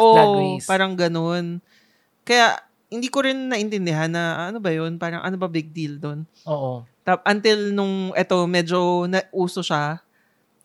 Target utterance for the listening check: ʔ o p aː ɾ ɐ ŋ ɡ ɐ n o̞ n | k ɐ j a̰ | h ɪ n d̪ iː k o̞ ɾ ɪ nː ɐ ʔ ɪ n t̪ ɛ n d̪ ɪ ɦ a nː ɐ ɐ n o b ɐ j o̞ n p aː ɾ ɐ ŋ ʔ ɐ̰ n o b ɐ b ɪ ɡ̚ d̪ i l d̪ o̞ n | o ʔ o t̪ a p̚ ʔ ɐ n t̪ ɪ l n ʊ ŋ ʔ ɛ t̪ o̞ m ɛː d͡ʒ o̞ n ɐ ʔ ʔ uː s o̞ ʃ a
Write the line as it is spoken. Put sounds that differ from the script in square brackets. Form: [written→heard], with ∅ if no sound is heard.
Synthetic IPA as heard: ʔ o p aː ɾ ɐ ŋ ɡ ɐ n o̞ n | k ɐ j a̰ | h ɪ n d̪ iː k o̞ ɾ ɪ nː ɐ ʔ ɪ n t̪ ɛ n d̪ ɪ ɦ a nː ɐ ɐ n o b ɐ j o̞ n p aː ɾ ɐ ŋ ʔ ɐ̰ n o b ɐ b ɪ ɡ̚ d̪ i l d̪ o̞ n | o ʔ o t̪ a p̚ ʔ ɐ n t̪ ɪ l n ʊ ŋ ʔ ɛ t̪ o̞ m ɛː d͡ʒ o̞ n ɐ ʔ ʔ uː s o̞ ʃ a